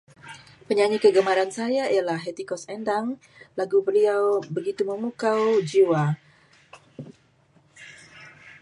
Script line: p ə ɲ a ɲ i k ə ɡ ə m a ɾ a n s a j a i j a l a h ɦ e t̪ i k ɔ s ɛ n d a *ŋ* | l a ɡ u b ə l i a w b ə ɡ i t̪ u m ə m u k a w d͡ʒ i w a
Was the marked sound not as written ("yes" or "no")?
no